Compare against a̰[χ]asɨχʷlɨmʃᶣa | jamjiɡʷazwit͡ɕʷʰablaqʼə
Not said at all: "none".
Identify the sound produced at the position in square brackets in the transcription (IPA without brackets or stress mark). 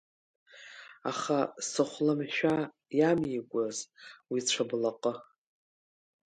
χ